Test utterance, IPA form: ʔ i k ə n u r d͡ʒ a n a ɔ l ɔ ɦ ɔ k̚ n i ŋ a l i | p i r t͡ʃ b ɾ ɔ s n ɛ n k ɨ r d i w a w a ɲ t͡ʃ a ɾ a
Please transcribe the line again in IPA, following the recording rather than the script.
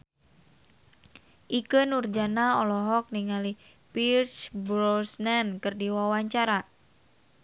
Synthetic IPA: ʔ i k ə n u r d͡ʒ a n a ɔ l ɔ ɦ ɔ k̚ n i ŋ a l i | p i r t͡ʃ b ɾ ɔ s n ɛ n k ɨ r d i w a w a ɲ t͡ʃ a ɾ a